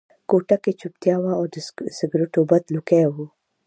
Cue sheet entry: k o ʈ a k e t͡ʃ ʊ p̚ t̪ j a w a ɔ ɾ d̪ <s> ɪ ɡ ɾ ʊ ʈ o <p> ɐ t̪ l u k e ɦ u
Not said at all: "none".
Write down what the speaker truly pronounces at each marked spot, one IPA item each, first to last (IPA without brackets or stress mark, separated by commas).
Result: s, b